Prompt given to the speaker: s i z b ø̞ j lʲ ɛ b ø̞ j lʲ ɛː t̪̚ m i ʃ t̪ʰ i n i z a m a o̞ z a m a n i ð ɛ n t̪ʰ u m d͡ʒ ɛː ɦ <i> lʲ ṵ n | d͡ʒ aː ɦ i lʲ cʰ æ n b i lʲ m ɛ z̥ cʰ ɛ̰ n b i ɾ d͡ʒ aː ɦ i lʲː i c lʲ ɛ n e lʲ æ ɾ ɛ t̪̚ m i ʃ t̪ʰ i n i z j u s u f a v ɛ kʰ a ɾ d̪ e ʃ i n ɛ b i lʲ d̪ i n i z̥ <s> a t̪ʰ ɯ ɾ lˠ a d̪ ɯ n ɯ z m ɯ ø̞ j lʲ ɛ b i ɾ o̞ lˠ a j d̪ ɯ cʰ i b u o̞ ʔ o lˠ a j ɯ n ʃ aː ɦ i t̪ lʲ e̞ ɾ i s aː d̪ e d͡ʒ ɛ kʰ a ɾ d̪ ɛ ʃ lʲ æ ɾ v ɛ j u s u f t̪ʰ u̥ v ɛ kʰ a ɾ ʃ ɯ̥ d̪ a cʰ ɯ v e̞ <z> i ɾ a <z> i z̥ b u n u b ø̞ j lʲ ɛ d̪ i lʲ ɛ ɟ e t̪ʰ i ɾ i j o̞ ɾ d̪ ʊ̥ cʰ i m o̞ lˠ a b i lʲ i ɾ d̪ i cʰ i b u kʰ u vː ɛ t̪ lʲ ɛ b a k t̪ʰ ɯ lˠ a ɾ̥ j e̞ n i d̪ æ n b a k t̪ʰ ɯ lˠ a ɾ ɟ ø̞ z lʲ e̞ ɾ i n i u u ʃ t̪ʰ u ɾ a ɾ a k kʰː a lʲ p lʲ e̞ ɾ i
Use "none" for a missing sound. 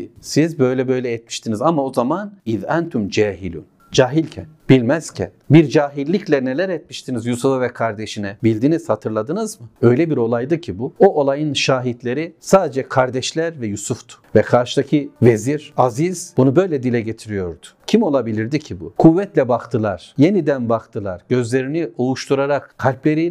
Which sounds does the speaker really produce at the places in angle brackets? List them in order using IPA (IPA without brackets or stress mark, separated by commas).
i, h, z, z